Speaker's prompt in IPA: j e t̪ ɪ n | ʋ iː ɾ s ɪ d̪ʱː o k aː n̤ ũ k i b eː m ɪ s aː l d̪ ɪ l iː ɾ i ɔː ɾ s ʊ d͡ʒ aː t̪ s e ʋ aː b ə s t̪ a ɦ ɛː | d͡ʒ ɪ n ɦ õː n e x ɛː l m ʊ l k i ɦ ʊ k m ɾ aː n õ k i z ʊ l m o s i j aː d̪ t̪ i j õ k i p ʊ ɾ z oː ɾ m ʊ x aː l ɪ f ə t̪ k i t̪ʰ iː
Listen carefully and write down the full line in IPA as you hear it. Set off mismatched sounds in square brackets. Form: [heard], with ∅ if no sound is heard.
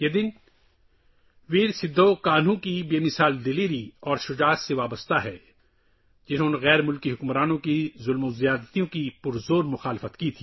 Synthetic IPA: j e [d̪] ɪ n | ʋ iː ɾ s ɪ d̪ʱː o k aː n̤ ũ k i b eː m ɪ s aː l d̪ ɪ l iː ɾ i ɔː ɾ [ʃ] ʊ d͡ʒ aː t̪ s e ʋ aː b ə s t̪ a ɦ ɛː | d͡ʒ ɪ n ɦ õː n e [ɣ] ɛː [ɾ] m ʊ l k i ɦ ʊ k m ɾ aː n õ k i z ʊ l m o [z] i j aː d̪ t̪ i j õ k i p ʊ ɾ z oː ɾ m ʊ x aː l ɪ f ə t̪ k i t̪ʰ iː